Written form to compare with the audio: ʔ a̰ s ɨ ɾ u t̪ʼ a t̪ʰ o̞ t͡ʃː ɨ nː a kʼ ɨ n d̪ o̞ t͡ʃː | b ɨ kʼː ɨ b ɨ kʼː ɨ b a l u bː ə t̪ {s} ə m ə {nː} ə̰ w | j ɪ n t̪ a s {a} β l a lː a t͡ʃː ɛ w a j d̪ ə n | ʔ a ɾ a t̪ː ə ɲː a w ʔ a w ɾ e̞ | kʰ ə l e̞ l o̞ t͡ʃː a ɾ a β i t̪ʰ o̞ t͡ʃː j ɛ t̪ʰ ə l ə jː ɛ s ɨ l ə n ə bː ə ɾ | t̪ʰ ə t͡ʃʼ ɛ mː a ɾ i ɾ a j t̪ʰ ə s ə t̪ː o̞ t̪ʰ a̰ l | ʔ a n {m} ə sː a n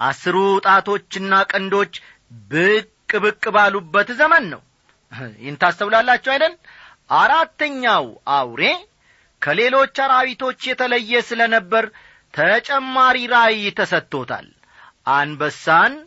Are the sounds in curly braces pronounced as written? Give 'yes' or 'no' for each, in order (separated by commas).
no, yes, no, no